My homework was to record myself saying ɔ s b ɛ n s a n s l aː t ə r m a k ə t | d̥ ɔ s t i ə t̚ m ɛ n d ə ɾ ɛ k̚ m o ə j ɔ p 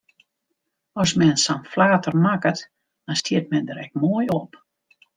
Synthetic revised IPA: ɔ s m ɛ n s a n f l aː t ə r m a k ə t | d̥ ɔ s t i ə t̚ m ɛ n d ə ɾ ɛ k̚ m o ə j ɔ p